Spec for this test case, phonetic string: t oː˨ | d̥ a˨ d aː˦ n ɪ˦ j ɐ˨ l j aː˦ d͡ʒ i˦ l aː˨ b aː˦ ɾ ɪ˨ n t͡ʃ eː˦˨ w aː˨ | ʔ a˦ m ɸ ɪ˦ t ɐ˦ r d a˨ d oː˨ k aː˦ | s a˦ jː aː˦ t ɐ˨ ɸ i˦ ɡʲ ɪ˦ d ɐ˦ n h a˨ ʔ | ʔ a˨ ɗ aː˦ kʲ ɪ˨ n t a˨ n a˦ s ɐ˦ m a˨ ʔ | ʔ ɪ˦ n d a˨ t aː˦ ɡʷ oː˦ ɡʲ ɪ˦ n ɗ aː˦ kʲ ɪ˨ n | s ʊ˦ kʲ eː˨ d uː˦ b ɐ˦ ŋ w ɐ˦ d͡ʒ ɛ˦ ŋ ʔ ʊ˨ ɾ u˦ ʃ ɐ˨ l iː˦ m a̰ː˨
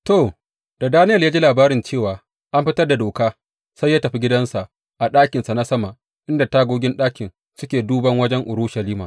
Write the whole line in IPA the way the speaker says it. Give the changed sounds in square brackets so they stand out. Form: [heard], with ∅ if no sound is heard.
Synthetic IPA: t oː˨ | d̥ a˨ d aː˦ n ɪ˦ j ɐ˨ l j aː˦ d͡ʒ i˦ l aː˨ b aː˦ ɾ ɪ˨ n t͡ʃ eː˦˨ w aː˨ | ʔ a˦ m ɸ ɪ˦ t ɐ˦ r d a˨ d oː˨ k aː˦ | s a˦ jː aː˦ t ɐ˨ ɸ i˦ ɡʲ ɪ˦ d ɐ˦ n [s] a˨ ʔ | ʔ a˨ ɗ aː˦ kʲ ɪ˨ n [s] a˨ n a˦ s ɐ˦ m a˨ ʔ | ʔ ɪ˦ n d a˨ t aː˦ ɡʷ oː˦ ɡʲ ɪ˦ n ɗ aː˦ kʲ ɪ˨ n | s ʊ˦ kʲ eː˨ d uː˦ b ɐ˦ ŋ w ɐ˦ d͡ʒ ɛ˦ ŋ ʔ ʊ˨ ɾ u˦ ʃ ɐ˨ l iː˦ m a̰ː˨

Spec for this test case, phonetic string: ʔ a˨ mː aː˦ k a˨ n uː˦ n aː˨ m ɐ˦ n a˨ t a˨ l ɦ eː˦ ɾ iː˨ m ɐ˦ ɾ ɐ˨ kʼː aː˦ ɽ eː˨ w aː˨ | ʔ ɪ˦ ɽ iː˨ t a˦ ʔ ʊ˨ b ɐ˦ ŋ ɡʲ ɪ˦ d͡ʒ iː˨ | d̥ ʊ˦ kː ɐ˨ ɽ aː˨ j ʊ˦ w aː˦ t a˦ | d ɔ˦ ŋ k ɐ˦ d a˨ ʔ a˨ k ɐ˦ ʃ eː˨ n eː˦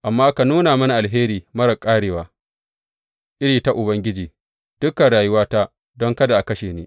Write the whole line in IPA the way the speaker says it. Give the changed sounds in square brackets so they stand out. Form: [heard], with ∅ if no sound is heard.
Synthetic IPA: ʔ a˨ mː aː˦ k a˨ n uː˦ n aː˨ m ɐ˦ n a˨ [ʔ] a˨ l ɦ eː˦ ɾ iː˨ m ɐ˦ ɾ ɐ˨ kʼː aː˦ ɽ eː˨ w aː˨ | ʔ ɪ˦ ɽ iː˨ t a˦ ʔ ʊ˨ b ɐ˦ ŋ ɡʲ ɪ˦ d͡ʒ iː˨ | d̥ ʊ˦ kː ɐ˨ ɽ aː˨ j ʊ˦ w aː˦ t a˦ | d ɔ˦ ŋ k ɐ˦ d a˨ ʔ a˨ k ɐ˦ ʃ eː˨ n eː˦

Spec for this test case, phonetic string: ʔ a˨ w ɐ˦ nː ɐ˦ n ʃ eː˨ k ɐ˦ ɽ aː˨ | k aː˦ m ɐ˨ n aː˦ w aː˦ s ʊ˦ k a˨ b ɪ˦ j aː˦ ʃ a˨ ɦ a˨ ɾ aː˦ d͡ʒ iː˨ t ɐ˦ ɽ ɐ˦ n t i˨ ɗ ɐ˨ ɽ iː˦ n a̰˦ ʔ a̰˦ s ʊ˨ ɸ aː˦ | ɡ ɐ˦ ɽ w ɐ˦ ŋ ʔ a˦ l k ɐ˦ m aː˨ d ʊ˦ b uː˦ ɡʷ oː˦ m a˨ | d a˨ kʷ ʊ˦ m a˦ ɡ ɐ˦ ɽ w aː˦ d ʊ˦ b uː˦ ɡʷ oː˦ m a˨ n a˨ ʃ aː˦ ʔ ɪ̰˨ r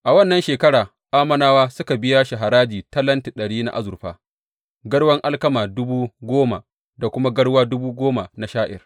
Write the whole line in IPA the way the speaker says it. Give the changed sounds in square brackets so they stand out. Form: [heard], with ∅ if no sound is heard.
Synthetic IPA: ʔ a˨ w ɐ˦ nː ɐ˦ n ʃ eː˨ k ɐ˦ ɽ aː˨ | [ʔ] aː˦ m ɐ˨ n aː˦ w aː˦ s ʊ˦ k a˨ b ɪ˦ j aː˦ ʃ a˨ ɦ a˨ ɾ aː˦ d͡ʒ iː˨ t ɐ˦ [l] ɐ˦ n t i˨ ɗ ɐ˨ ɽ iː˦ n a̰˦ ʔ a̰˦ [z] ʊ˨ ɸ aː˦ | ɡ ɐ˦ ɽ w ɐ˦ ŋ ʔ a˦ l k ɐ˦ m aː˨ d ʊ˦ b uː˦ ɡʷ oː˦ m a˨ | d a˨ kʷ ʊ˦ m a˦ ɡ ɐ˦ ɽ w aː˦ d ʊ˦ b uː˦ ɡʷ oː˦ m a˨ n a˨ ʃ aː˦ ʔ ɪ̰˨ r

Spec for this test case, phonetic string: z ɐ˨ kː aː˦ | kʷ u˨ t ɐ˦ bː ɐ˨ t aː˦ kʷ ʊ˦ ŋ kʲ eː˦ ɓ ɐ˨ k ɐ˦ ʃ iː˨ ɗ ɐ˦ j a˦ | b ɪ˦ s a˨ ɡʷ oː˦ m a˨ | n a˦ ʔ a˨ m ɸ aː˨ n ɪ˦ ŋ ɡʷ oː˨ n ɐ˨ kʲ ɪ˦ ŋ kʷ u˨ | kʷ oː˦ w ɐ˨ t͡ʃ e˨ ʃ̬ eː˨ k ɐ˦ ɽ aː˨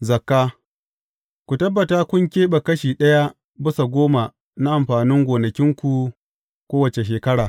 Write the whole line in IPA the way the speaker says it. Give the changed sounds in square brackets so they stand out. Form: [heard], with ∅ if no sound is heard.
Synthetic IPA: z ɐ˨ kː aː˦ | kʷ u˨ t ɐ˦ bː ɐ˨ t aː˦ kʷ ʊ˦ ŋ kʲ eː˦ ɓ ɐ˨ k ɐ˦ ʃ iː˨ ɗ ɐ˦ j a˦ | b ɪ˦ s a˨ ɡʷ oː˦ m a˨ | n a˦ ʔ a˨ m ɸ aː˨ n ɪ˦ ŋ ɡʷ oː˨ n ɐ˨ kʲ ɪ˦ ŋ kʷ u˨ | kʷ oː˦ w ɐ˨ t͡ʃ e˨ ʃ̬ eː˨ k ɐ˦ ɽ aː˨

